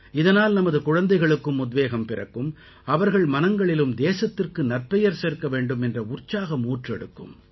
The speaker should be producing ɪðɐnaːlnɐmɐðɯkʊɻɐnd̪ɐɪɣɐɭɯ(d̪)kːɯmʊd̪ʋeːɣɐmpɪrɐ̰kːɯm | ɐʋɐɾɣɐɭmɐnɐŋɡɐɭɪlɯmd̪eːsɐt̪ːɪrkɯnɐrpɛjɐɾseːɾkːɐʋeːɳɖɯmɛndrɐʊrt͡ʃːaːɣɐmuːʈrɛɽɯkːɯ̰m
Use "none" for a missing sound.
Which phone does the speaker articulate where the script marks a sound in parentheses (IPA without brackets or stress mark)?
none